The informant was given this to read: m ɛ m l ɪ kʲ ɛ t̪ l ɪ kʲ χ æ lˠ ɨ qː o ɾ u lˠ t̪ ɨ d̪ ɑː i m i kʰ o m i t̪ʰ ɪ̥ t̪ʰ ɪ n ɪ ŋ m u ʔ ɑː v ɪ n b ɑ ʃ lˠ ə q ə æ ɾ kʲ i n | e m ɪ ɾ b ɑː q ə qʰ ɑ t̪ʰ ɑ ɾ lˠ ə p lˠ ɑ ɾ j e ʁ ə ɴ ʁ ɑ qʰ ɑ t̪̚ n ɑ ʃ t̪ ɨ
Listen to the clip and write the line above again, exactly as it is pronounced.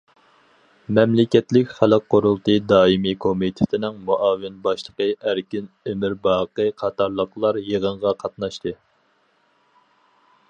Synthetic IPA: m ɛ m l ɪ kʲ ɛ t̪ l ɪ kʲ χ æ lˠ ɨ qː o ɾ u lˠ t̪ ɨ d̪ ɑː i m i kʰ o m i t̪ʰ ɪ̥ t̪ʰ ɪ n ɪ ŋ m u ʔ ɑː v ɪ n b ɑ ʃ lˠ ə q ə æ ɾ kʲ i n | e m ɪ ɾ b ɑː q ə qʰ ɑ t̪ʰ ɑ ɾ lˠ ə q lˠ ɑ ɾ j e ʁ ə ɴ ʁ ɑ qʰ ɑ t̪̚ n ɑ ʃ t̪ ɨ